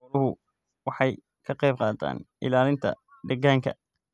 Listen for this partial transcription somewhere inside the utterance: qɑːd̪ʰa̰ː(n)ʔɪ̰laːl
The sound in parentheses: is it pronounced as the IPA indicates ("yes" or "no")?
yes